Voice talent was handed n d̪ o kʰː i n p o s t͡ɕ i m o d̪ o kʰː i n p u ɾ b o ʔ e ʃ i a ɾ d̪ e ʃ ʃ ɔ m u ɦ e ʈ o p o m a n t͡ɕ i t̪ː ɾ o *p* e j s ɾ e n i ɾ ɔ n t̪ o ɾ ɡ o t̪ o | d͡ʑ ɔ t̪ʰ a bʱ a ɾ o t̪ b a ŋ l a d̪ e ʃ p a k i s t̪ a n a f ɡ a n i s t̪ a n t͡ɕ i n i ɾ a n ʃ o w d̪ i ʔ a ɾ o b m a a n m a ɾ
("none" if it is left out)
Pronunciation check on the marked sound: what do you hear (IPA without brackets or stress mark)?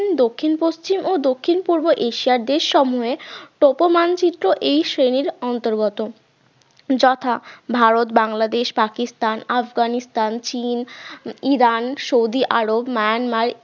ʔ